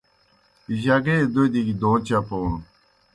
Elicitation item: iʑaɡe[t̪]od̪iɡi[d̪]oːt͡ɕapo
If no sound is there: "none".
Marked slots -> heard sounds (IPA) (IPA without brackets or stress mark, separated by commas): d̪, d̪